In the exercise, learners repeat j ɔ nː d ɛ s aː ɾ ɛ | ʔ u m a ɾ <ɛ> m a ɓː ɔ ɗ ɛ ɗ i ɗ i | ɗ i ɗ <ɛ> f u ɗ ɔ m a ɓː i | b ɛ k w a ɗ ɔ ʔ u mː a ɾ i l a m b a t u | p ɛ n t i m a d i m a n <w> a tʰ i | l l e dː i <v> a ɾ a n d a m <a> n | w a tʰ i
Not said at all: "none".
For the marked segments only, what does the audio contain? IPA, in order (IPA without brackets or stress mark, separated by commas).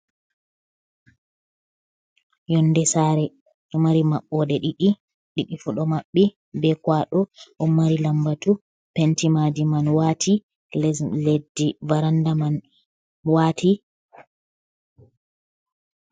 i, i, w, v, a